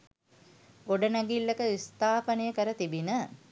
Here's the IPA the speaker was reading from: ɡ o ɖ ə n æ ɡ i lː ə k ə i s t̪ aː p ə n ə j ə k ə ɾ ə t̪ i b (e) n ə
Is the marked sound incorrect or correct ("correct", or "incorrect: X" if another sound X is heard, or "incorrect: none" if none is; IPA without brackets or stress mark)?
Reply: incorrect: i